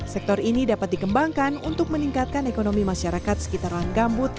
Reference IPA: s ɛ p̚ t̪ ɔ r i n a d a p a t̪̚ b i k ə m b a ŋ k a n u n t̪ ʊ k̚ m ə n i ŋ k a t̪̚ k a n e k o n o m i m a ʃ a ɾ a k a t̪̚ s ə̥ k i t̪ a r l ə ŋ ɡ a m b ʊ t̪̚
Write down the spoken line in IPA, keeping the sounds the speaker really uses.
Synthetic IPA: s ɛ k̚ t̪ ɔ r i n i d a p a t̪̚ d i k ə m b a ŋ k a n u n t̪ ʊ k̚ m ə n i ŋ k a t̪̚ k a n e k o n o m i m a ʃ a ɾ a k a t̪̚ s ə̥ k i t̪ a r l a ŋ ɡ a m b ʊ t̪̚